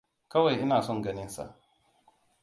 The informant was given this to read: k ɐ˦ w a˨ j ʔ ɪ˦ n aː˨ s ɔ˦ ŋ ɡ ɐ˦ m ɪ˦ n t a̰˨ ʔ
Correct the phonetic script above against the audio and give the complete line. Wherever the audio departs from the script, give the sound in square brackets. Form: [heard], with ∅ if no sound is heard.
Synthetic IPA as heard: k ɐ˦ w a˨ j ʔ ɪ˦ n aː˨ s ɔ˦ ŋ ɡ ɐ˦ [n] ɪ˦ n [s] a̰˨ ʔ